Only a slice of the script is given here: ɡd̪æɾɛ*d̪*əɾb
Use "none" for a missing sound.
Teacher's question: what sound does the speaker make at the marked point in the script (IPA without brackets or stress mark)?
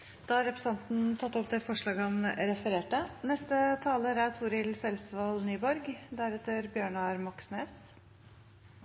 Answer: t̪